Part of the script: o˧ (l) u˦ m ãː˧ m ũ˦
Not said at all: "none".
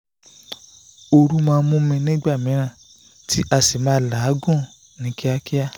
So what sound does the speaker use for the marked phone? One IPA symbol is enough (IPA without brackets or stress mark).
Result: ɾ